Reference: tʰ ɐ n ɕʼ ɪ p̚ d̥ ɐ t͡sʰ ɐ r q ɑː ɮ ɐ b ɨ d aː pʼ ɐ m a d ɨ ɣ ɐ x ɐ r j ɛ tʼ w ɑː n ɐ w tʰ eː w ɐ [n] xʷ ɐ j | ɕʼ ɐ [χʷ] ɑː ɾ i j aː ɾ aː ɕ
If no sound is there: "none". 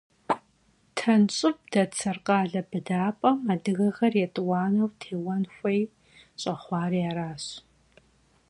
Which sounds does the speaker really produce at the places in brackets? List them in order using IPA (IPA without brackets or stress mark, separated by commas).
n, χʷ